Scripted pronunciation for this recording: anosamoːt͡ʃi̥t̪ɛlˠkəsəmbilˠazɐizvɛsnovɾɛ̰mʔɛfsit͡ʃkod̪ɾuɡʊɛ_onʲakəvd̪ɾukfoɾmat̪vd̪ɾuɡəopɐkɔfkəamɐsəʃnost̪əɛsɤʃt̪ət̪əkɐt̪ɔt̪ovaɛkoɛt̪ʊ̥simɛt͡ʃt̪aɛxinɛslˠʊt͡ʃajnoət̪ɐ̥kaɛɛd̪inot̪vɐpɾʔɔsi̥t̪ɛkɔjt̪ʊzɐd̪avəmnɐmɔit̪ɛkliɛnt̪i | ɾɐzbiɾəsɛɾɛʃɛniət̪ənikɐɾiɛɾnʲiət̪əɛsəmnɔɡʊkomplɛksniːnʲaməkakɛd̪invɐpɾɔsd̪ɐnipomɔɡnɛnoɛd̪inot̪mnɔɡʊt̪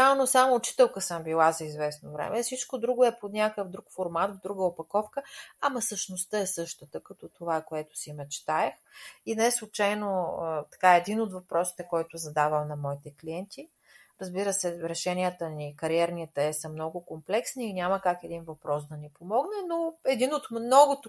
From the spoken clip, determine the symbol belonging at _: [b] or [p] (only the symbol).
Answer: p